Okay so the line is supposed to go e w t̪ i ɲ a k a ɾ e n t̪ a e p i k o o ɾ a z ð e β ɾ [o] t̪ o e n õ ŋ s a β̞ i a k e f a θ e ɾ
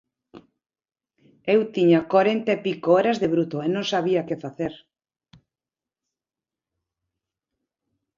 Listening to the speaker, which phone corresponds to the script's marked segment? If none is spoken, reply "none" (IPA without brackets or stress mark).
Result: u